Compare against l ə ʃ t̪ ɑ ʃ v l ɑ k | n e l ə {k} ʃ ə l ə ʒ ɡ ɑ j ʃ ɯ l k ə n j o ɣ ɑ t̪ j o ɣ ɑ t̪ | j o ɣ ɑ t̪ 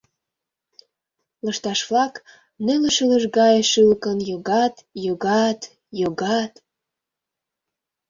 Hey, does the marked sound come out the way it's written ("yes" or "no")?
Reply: no